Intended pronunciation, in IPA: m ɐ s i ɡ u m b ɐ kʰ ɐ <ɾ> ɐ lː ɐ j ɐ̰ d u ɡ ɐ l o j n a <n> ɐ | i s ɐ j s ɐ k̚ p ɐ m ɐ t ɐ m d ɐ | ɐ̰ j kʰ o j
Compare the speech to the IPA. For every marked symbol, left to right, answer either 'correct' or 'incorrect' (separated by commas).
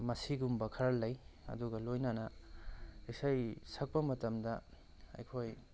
correct, correct